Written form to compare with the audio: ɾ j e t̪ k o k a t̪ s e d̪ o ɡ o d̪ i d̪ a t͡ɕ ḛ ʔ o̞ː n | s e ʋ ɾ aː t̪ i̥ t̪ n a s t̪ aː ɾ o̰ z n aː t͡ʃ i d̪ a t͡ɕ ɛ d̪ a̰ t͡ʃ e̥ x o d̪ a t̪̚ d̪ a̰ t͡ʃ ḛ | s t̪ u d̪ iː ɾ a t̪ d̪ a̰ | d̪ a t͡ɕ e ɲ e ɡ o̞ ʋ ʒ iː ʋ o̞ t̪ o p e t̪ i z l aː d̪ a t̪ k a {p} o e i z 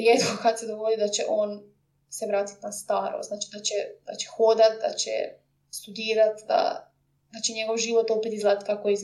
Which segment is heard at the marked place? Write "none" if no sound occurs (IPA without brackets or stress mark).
k